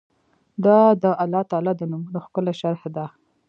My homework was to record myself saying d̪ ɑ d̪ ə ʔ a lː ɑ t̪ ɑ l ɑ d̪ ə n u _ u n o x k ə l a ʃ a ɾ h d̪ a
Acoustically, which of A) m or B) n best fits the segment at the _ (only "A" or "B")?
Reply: A